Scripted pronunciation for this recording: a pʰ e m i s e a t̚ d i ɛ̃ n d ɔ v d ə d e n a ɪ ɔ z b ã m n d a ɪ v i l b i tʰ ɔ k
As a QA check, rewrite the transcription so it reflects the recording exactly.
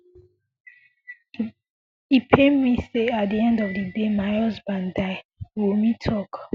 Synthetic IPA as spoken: i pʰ e m i s e a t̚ d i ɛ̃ n d ɔ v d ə d e m a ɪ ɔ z b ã n d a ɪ w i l m i tʰ ɔ k